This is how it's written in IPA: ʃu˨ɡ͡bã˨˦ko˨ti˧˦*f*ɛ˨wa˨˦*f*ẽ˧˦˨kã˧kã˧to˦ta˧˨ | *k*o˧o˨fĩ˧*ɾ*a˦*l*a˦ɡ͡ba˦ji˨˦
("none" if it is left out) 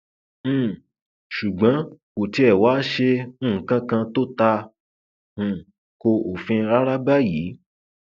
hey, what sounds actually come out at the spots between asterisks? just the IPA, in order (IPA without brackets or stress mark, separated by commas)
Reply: none, ʃ, k, ɾ, ɾ